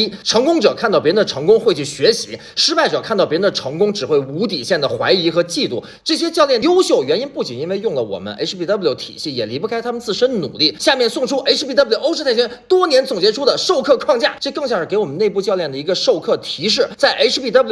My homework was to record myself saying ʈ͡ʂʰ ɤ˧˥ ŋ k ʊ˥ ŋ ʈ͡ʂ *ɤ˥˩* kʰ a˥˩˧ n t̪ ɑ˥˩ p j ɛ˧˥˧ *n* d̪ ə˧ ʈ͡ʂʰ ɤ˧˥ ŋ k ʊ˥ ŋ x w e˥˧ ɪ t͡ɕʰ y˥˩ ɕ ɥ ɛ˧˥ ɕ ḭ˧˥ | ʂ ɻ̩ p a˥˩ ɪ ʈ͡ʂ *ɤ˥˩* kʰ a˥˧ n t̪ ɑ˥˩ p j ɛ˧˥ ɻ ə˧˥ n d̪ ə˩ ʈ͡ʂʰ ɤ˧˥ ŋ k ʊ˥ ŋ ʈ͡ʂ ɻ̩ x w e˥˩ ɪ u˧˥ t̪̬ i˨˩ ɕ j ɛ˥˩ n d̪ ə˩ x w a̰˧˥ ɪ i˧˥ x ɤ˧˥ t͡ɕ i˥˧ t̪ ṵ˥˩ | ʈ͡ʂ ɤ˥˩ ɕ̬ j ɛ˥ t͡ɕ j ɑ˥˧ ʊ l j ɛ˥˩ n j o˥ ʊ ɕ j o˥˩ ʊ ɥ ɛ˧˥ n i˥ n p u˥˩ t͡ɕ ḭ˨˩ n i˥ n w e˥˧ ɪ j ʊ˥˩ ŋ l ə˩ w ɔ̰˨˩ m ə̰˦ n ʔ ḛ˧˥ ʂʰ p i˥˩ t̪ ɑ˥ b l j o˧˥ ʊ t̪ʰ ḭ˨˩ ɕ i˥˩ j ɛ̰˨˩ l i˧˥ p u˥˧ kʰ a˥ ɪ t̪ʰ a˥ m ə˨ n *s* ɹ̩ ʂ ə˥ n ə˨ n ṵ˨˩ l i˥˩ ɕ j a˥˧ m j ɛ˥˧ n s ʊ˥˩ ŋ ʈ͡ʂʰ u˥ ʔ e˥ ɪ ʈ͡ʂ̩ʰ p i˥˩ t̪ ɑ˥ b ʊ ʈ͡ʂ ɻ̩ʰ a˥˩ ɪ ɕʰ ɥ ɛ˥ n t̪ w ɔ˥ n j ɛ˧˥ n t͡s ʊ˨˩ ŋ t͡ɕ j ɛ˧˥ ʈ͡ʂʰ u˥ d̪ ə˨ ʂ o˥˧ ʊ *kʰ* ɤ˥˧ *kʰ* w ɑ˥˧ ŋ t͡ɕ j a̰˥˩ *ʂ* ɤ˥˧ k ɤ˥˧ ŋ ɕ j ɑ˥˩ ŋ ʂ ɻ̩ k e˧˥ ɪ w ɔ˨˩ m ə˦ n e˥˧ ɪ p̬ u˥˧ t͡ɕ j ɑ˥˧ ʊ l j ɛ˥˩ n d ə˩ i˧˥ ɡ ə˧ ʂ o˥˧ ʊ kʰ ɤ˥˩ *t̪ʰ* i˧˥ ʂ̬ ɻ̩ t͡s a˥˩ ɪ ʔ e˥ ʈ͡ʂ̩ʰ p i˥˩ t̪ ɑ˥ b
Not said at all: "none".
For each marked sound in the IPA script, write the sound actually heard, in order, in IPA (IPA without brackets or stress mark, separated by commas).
ɤ˨˩, n, ɤ˨˩, t͡s, kʰ, kʰ, ʈ͡ʂ, t̪ʰ